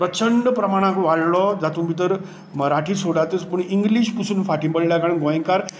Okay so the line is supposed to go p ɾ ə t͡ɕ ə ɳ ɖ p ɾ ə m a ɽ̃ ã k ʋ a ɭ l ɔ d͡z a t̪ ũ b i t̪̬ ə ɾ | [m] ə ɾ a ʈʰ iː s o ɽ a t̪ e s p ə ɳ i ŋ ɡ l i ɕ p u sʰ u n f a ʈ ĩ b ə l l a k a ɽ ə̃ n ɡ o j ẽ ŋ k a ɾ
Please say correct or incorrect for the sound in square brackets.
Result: correct